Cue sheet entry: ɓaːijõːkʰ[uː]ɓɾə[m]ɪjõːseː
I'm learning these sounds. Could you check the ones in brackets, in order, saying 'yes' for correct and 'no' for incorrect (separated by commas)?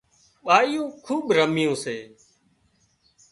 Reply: yes, yes